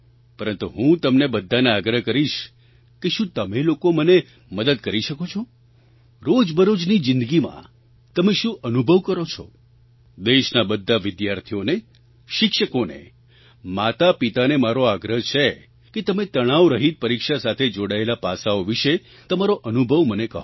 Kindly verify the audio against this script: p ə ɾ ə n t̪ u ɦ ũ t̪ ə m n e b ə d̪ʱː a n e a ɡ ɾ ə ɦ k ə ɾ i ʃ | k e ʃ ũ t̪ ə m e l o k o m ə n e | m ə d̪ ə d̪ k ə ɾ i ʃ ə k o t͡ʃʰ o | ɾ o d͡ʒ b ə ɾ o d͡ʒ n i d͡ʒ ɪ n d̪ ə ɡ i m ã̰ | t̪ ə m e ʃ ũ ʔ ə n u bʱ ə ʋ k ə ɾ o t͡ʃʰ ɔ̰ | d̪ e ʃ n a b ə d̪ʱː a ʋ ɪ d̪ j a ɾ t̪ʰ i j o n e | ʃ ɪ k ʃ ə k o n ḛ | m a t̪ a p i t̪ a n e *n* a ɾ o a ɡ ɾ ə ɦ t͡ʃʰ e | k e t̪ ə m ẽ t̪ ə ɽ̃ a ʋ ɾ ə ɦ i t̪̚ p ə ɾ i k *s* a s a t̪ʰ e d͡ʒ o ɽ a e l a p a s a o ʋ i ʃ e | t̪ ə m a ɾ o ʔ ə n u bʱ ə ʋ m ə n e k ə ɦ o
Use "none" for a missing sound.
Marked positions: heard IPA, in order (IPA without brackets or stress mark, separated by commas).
m, ʃ